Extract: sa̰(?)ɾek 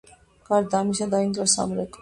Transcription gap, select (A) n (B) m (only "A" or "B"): B